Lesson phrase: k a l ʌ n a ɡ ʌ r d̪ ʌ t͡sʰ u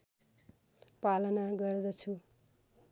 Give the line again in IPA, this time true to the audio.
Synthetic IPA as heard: p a l ʌ n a ɡ ʌ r d̪ ʌ t͡sʰ u